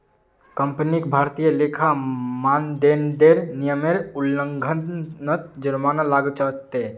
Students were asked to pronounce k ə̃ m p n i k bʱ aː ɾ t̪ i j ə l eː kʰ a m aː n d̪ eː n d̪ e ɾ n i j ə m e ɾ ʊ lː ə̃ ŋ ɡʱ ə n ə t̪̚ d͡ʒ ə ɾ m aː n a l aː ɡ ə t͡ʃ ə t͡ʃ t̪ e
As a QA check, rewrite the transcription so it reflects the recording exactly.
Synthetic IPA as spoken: k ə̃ m p n i k bʱ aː ɾ t̪ i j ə l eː kʰ a m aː n d̪ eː n d̪ e ɾ n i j ə m e ɾ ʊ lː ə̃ ŋ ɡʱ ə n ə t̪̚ d͡ʒ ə ɾ m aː n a l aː ɡ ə t͡ʃ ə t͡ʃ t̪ e